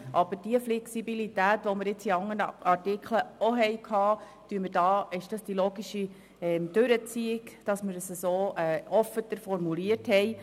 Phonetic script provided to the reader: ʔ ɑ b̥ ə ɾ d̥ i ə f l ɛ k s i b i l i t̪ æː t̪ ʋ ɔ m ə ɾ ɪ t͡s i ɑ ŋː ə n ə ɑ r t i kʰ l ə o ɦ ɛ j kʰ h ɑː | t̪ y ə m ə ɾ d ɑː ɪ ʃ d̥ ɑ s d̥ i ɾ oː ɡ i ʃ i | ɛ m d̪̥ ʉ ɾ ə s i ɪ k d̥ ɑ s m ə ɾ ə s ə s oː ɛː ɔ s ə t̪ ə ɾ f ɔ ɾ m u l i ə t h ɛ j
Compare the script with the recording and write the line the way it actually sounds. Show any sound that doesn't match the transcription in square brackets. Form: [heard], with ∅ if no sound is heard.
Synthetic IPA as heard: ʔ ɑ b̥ ə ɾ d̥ i ə f l ɛ k s i b i l i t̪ æː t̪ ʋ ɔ m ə ɾ ɪ t͡s i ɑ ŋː ə n ə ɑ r t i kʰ l ə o ɦ ɛ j kʰ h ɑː | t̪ y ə m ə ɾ d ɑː ɪ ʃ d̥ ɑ s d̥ i [l] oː ɡ i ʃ i | ɛ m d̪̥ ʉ ɾ ə [t͡s] i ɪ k d̥ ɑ s m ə ɾ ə s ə s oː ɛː ɔ [f] ə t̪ ə ɾ f ɔ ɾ m u l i ə t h ɛ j

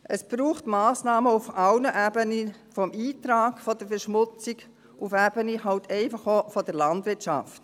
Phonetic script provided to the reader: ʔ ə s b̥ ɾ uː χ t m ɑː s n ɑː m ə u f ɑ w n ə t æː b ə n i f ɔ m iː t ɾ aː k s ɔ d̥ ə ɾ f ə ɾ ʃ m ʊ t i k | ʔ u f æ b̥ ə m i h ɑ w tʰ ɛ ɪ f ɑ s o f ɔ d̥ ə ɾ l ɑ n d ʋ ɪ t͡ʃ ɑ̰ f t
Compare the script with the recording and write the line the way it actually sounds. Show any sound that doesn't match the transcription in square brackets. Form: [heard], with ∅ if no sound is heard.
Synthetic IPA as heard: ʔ ə s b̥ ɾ uː χ t m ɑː s n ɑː m ə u f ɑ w n ə [ʔ] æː b ə n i f ɔ m iː t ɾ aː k [f] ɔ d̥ ə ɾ f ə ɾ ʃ m ʊ [t͡s] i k | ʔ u f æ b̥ ə [n] i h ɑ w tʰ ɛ ɪ f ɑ [χ] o f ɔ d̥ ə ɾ l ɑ n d ʋ ɪ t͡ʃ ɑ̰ f t

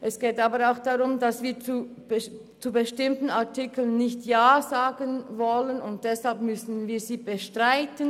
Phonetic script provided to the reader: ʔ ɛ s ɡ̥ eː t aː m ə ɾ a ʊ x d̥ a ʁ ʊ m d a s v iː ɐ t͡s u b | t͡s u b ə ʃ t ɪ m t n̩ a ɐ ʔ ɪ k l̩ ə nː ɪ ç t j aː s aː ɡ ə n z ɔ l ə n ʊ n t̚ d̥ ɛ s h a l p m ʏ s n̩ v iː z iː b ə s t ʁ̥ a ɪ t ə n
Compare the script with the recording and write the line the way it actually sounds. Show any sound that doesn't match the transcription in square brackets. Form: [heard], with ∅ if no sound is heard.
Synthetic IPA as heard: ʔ ɛ s ɡ̥ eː t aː [b] ə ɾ a ʊ x d̥ a ʁ ʊ m d a s v iː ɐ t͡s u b | t͡s u b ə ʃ t ɪ m t n̩ a ɐ [t] ɪ k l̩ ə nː ɪ ç t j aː [z] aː ɡ ə n [v] ɔ l ə n ʊ n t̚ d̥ ɛ s h a l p m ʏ s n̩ v iː z iː b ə [ʃ] t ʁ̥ a ɪ t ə n

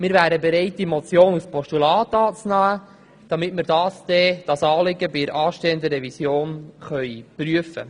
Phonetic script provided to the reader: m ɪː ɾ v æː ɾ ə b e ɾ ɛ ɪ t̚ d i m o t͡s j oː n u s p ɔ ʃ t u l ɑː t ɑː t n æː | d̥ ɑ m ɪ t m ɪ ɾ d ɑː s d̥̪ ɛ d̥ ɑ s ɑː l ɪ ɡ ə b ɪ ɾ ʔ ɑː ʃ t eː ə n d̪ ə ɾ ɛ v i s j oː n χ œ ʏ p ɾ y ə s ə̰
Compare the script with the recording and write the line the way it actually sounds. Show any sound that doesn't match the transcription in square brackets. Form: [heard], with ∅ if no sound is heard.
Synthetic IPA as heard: m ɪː ɾ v æː ɾ ə b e ɾ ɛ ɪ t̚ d i m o t͡s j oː n u s p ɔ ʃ t u l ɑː t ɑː [t͡s] n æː | d̥ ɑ m ɪ t m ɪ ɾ d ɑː s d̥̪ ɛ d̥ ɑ s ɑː l ɪ ɡ ə b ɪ ɾ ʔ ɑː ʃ t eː ə n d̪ ə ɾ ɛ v i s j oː n χ œ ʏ p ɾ y ə [f] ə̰

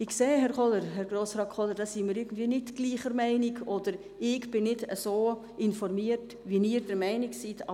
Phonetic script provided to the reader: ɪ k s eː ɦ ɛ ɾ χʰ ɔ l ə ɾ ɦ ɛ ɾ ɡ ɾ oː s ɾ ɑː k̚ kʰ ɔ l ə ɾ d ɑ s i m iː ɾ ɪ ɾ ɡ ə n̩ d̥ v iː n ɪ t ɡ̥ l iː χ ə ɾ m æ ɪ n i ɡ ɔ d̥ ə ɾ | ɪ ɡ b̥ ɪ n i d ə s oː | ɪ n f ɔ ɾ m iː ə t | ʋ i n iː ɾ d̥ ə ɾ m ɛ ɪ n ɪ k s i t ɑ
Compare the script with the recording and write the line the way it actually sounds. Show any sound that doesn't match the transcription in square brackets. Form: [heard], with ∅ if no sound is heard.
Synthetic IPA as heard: ɪ k s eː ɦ ɛ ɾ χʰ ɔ l ə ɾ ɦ ɛ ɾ ɡ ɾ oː s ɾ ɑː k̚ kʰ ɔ l ə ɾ d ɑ s i m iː ɾ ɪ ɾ ɡ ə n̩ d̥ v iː n ɪ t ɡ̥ l iː χ ə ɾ m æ ɪ n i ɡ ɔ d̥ ə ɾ | ɪ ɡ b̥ ɪ n [ɪ] d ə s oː | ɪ n f ɔ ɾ m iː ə t | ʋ i n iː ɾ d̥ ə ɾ m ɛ ɪ n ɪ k s i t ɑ

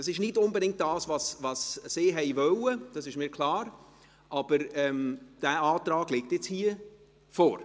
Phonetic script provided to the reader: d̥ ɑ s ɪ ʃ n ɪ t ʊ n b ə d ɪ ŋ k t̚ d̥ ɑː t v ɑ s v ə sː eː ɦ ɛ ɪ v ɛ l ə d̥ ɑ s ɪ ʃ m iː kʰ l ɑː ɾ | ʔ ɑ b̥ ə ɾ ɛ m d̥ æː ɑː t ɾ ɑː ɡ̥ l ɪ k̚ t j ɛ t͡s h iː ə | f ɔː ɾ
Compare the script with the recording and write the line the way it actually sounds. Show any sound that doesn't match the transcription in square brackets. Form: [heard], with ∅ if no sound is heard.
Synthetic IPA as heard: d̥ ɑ s ɪ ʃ n ɪ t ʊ n b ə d ɪ ŋ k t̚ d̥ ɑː [s] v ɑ s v [ɑ] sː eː ɦ ɛ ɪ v [œ] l ə d̥ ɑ s ɪ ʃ m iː kʰ l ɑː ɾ | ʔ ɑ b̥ ə ɾ ɛ m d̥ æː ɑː t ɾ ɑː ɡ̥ l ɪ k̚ t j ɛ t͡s h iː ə | f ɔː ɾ

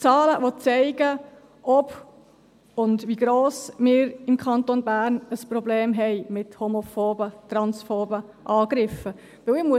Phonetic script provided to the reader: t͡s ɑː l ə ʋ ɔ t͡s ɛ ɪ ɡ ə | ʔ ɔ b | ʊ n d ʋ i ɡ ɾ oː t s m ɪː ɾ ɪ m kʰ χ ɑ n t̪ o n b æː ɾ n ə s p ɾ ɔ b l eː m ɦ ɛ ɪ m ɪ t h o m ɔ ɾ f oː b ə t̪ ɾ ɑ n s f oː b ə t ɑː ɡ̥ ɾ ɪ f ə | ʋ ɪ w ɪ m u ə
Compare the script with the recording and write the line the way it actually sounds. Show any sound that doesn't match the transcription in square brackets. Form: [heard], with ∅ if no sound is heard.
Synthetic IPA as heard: t͡s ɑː l ə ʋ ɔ t͡s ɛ ɪ ɡ ə | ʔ ɔ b | ʊ n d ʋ i ɡ ɾ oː [∅] s m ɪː ɾ ɪ m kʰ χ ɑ n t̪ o n b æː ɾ n ə s p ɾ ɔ b l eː m ɦ ɛ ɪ m ɪ t h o m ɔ [∅] f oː b ə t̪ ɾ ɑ n s f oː b ə [ʔ] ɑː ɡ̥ ɾ ɪ f ə | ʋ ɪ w ɪ m u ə

